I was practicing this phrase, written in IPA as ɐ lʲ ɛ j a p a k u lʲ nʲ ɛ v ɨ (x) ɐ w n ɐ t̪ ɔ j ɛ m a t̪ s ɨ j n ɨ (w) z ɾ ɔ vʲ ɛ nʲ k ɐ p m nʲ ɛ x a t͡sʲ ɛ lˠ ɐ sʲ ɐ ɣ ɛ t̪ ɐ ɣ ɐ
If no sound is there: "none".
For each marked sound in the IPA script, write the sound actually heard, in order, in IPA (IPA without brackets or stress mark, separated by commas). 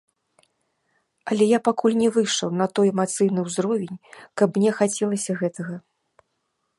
ʂ, w